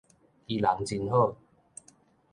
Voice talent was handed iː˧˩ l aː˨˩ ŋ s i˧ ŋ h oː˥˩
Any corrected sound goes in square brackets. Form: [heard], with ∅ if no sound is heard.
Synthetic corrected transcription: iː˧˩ l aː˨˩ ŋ [t͡s] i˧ [n] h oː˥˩